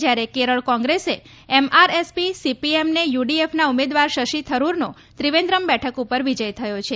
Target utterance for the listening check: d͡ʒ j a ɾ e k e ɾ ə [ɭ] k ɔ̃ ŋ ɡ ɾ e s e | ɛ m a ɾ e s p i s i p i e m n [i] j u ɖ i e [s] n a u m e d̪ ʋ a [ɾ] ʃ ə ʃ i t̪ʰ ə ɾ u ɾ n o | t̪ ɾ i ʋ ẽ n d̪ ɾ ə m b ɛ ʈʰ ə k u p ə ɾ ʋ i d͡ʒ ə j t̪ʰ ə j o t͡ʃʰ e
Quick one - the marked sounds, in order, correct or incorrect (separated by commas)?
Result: correct, incorrect, incorrect, correct